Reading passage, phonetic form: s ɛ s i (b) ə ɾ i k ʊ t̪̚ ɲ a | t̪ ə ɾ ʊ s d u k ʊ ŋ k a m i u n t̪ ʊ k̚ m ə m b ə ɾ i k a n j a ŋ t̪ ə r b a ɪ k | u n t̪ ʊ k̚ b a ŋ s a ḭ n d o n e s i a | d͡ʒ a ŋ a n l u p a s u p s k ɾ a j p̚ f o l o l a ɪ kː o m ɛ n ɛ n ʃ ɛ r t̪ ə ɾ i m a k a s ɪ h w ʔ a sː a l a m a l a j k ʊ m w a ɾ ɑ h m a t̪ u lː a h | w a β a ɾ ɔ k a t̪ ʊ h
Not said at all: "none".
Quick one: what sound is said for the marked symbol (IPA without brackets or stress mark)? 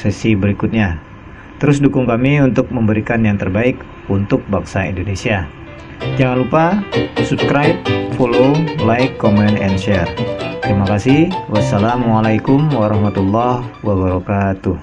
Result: b